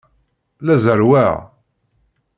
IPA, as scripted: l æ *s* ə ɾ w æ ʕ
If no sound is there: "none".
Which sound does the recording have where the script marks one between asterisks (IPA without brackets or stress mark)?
z